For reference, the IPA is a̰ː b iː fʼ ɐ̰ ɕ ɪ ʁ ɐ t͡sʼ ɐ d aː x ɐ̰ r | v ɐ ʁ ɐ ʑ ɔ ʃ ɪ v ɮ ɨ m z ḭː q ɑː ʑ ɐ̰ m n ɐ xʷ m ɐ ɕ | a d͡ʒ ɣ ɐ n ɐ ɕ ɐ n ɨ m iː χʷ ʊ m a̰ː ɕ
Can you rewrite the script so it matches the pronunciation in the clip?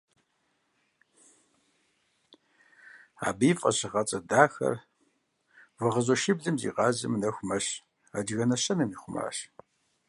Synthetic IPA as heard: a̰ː b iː fʼ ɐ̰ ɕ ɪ ʁ ɐ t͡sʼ ɐ d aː x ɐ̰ r | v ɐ ʁ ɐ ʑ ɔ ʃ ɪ b ɮ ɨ m z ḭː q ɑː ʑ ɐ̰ m n ɐ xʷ m ɐ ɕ | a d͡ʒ ɣ ɐ n ɐ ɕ ɐ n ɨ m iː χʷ ʊ m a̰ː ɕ